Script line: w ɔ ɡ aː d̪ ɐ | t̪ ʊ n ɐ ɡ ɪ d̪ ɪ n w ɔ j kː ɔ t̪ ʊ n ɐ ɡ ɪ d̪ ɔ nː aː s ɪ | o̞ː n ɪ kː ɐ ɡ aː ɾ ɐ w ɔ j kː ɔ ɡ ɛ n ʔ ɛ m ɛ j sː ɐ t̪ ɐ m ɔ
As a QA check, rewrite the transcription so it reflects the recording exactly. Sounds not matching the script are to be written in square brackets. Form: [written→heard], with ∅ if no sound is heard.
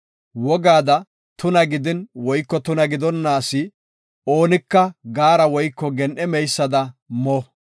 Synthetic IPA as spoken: w ɔ ɡ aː d̪ ɐ | t̪ ʊ n ɐ ɡ ɪ d̪ ɪ n w ɔ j kː ɔ t̪ ʊ n ɐ ɡ ɪ d̪ ɔ nː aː s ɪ | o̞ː n ɪ kː ɐ ɡ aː ɾ ɐ w ɔ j kː ɔ ɡ ɛ n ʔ ɛ m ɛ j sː ɐ [t̪→d̪] ɐ m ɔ